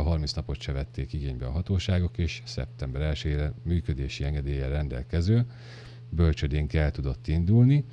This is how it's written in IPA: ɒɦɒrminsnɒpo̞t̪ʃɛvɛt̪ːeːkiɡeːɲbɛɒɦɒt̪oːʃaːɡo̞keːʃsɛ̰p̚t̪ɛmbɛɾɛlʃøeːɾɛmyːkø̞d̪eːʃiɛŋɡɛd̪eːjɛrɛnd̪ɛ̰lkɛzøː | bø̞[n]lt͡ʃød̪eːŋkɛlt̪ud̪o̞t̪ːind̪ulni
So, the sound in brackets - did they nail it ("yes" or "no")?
no